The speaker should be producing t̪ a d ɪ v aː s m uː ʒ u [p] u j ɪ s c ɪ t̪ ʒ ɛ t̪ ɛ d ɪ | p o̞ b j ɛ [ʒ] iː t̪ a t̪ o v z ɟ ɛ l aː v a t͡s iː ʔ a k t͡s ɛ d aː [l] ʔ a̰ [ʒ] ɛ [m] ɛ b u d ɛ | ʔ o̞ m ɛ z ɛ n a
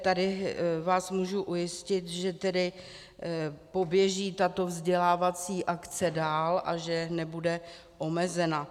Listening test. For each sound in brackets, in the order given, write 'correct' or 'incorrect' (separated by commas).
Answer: incorrect, correct, correct, correct, incorrect